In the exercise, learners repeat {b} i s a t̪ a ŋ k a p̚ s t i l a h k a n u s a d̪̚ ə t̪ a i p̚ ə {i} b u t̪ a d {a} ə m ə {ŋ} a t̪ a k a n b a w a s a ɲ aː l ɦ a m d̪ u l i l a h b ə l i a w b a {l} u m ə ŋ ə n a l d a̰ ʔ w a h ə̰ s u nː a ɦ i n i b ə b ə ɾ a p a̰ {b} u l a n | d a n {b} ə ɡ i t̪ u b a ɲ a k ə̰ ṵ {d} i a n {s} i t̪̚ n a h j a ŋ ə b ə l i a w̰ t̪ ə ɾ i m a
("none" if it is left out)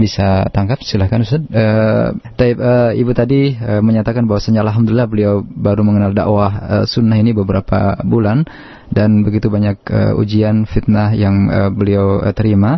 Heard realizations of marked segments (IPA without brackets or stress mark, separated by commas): b, i, i, ɲ, ɾ, b, b, d͡ʒ, f